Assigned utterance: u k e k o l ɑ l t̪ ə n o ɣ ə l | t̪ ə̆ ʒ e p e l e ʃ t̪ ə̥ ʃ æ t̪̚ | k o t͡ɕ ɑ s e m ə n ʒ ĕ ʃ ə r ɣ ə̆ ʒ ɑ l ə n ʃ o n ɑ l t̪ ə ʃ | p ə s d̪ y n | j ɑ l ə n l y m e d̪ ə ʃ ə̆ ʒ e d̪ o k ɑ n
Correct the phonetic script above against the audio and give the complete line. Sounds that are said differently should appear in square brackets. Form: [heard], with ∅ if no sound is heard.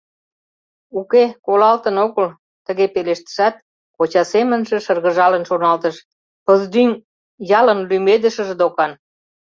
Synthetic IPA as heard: u k e k o l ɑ l t̪ ə n o ɣ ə l | t̪ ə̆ [ɣ] e p e l e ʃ t̪ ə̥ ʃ æ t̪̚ | k o t͡ɕ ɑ s e m ə n ʒ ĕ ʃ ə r ɣ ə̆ ʒ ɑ l ə n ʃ o n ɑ l t̪ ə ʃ | p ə [z] d̪ y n | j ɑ l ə n l y m e d̪ ə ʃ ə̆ ʒ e d̪ o k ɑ n

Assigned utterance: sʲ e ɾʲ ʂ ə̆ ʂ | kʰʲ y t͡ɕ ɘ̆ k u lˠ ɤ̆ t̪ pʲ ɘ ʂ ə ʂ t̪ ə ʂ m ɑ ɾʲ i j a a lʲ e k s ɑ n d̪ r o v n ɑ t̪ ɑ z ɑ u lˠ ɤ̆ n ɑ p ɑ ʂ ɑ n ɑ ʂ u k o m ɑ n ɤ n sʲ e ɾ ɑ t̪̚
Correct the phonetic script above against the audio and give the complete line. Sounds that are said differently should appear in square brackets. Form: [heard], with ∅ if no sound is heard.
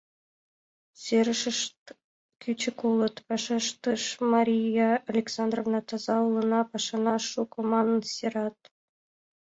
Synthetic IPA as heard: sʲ e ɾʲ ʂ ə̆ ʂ | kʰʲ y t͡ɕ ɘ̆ k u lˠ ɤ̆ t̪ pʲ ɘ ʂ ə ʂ t̪ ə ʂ m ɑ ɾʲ i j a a lʲ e k s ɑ n d̪ r o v n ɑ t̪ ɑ z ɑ u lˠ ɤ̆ n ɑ p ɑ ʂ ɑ n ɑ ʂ u k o m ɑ n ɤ n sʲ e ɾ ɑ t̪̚

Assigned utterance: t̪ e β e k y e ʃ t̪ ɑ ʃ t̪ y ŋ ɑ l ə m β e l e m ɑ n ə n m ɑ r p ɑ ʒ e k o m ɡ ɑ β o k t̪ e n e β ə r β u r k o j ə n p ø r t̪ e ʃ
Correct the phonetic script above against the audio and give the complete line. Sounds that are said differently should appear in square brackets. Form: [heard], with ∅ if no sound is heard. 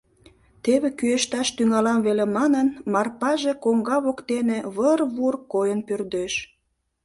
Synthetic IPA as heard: t̪ e β e k y e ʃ t̪ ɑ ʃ t̪ y ŋ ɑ l [ɑ] m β e l e m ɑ n ə n m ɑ r p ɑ ʒ e k o [ŋ] ɡ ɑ β o k t̪ e n e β ə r β u r k o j ə n p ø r [d̪] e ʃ

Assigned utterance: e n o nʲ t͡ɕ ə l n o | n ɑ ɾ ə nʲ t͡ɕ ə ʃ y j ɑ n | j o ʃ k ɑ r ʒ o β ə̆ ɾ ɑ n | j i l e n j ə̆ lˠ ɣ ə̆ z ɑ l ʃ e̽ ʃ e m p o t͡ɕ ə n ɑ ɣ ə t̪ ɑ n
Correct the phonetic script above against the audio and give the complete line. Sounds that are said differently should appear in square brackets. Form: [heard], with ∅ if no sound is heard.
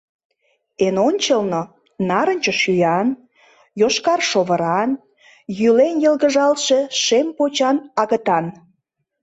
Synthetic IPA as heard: e n o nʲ t͡ɕ ə l n o | n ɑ ɾ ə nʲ t͡ɕ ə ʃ y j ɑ n | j o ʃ k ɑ r [ʃ] o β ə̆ ɾ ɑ n | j [y] l e n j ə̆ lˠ ɣ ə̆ [ʒ] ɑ l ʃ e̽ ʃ e m p o t͡ɕ [ɑ] n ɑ ɣ ə t̪ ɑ n

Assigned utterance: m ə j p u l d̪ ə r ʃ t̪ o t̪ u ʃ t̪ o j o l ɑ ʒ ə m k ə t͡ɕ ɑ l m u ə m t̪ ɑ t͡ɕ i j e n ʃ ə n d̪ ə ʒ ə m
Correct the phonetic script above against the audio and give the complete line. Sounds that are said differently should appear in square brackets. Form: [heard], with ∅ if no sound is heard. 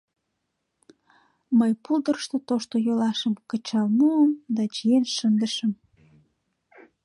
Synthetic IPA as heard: m ə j p u l d̪ ə r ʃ t̪ o t̪ [o] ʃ t̪ o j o l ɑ [ʃ] ə m k ə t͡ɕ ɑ l m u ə m [d̪] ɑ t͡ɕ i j e n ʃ ə n d̪ ə [ʃ] ə m

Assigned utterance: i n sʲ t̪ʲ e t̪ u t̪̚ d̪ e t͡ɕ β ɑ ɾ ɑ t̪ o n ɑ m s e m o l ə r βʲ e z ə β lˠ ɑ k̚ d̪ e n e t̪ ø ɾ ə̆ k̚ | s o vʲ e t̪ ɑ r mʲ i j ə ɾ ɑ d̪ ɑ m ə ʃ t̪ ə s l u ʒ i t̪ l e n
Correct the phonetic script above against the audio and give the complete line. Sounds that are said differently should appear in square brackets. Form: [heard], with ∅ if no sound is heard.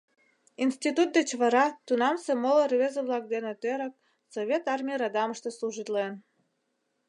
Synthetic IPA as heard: i n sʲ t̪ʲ [i] t̪ u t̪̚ d̪ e t͡ɕ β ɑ ɾ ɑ t̪ [u] n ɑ m s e m o l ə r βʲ e z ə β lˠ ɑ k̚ d̪ e n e t̪ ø ɾ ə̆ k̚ | s o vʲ e t̪ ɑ r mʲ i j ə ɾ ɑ d̪ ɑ m ə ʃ t̪ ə s l u ʒ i t̪ l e n

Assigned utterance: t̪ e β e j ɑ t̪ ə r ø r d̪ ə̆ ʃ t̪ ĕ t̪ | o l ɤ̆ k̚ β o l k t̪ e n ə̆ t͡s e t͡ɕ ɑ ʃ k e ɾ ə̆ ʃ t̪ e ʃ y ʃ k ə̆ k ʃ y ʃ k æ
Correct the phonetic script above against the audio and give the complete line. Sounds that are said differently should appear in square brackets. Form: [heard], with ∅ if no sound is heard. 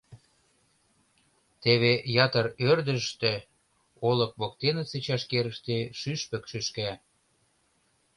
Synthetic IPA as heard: t̪ e β e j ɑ t̪ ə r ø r d̪ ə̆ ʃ t̪ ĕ [∅] | o l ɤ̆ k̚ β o [∅] k t̪ e n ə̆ t͡s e t͡ɕ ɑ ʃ k e ɾ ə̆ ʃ t̪ e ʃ y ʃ [p] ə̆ k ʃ y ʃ k æ

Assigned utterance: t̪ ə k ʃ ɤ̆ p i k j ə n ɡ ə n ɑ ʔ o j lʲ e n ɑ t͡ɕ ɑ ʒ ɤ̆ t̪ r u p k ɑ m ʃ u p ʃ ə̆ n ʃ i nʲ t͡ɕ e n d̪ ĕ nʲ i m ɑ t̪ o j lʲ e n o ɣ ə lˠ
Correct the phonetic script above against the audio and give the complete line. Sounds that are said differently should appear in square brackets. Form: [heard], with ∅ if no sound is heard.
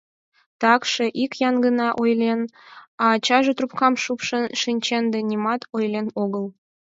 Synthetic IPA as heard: t̪ [ɑ] k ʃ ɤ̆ [ʔ] i k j [ɑ] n ɡ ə n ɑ ʔ o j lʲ e n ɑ t͡ɕ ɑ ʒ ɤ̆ t̪ r u p k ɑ m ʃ u p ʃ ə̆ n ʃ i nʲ t͡ɕ e n d̪ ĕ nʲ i m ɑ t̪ o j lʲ e n o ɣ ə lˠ

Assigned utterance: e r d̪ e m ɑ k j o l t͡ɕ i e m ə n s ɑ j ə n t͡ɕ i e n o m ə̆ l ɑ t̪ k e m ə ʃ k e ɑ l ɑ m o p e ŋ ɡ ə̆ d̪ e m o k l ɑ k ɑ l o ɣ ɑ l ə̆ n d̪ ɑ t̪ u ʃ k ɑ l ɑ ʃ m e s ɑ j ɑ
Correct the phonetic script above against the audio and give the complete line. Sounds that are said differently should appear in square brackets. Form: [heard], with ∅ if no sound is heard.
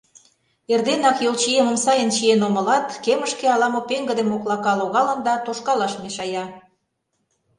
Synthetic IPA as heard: e r d̪ e [n] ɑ k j o l t͡ɕ i e m ə [m] s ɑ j ə n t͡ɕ i e n o m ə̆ l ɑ t̪ k e m ə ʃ k e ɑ l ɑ m o p e ŋ ɡ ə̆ d̪ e m o k l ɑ k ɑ l o ɣ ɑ l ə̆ n d̪ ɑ t̪ [o] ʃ k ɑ l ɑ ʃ m e [ʃ] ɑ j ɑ

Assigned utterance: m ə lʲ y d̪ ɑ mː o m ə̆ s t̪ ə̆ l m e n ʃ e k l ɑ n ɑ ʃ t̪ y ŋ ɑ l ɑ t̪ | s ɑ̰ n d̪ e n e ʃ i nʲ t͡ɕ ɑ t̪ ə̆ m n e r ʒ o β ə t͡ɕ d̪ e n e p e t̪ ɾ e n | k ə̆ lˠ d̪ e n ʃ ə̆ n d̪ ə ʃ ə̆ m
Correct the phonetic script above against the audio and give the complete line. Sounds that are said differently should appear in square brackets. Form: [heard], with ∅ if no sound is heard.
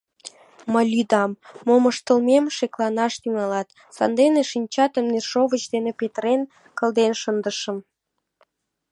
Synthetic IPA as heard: m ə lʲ y d̪ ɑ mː o m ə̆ [ʃ] t̪ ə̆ l m e [m] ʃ e k l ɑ n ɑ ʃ t̪ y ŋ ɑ l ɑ t̪ | s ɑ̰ n d̪ e n e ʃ i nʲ t͡ɕ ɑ t̪ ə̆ m n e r [ʃ] o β ə t͡ɕ d̪ e n e p e t̪ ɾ e n | k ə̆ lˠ d̪ e n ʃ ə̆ n d̪ ə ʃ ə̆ m

